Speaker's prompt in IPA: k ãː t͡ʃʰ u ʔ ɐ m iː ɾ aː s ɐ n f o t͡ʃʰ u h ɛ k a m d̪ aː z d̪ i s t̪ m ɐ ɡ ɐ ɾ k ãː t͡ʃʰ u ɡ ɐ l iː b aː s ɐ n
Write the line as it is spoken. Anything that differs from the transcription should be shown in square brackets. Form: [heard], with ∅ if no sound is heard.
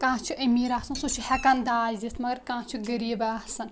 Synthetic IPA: k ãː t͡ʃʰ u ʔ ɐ m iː ɾ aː s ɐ n [s] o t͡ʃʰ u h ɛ k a [n] d̪ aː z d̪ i s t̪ m ɐ ɡ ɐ ɾ k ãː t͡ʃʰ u ɡ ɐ [ɾ] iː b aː s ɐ n